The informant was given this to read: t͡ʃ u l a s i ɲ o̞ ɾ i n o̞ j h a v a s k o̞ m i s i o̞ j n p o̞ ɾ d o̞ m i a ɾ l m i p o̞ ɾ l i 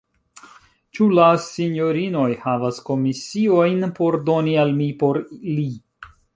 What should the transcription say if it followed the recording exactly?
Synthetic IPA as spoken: t͡ʃ u l a s i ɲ o̞ ɾ i n o̞ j h a v a s k o̞ m i s i o̞ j n p o̞ ɾ d o̞ n i a l m i p o̞ ɾ l i